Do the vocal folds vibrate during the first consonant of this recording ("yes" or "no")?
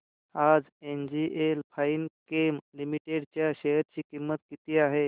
yes